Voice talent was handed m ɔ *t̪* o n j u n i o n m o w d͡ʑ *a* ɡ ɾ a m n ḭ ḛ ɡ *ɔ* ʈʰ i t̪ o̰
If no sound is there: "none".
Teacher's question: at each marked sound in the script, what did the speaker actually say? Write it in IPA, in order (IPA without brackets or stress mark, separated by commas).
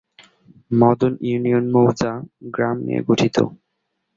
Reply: d̪, a, o